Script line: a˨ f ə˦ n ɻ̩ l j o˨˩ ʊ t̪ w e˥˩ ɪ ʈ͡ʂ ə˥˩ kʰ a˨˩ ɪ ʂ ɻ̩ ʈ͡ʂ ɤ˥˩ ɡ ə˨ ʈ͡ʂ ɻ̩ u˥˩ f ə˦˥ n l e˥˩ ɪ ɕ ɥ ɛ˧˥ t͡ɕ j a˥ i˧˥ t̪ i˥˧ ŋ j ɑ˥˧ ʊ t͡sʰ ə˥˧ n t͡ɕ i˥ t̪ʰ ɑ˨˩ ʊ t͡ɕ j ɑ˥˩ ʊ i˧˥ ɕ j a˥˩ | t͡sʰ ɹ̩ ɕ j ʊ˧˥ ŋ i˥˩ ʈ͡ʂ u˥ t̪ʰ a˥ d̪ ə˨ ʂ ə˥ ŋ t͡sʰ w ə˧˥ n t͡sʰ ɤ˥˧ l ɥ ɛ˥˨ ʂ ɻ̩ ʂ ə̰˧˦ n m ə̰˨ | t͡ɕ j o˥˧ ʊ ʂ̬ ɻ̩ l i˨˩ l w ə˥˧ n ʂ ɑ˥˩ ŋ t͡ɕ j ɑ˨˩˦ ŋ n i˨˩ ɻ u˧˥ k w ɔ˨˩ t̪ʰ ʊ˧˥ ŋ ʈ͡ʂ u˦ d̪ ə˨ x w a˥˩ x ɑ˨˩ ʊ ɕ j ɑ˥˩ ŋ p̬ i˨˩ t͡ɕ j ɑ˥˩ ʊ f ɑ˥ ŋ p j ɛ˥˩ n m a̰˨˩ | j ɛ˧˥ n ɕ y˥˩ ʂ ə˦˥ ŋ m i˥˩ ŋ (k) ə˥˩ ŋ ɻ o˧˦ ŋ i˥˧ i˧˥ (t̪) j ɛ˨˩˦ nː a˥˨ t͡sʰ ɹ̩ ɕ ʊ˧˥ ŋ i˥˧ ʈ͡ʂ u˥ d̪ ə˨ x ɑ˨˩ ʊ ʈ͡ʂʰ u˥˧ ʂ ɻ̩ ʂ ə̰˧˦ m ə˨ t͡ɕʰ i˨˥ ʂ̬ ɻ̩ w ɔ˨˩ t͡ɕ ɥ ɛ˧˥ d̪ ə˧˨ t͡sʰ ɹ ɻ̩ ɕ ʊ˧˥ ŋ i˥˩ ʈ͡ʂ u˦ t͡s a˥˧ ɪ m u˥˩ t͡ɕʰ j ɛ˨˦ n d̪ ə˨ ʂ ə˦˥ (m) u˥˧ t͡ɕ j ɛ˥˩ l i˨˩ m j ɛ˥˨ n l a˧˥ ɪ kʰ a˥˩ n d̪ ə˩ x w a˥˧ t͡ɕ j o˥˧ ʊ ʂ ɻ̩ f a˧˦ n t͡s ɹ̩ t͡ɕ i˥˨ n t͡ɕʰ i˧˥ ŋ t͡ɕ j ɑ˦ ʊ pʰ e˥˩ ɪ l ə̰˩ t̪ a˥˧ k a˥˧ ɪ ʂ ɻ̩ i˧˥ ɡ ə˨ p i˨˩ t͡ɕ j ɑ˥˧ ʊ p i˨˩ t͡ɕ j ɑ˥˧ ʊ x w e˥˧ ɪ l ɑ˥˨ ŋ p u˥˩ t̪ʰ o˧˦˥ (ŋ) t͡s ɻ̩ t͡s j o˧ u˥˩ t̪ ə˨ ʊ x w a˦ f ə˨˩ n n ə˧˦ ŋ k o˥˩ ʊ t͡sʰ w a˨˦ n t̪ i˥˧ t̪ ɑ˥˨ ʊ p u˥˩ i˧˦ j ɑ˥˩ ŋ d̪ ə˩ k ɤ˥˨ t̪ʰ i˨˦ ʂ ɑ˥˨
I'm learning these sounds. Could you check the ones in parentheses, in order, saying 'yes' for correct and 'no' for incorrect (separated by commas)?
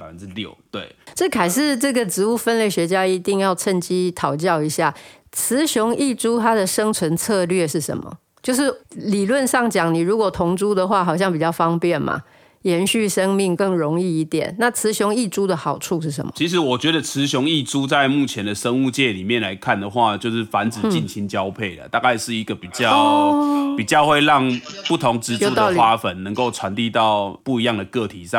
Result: yes, yes, no, yes